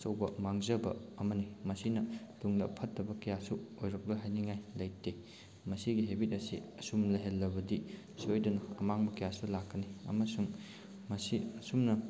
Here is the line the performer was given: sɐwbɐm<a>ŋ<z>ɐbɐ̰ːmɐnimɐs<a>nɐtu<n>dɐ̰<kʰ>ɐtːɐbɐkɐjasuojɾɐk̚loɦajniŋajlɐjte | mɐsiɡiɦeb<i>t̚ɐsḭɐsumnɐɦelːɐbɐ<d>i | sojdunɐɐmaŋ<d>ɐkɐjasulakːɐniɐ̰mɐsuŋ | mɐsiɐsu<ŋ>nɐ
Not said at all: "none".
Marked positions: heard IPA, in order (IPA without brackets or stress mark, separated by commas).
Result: a, z, i, ŋ, pʰ, i, d, b, m